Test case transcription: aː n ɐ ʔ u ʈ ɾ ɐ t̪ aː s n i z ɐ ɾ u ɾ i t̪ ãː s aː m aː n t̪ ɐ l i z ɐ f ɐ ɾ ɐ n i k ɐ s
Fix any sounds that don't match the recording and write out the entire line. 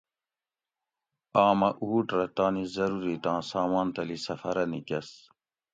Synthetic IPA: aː m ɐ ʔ uː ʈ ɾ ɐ t̪ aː n i z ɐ ɾ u ɾ i t̪ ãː s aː m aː n t̪ ɐ l i s ɐ f ɐ ɾ ɐ n i k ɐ s